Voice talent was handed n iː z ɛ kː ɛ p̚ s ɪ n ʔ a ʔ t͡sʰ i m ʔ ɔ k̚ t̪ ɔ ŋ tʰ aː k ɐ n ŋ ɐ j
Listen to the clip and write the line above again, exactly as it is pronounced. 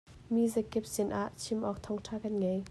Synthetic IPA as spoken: m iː z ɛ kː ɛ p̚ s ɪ n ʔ a ʔ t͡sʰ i m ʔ ɔ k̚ t̪ʰ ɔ ŋ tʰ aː k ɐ n ŋ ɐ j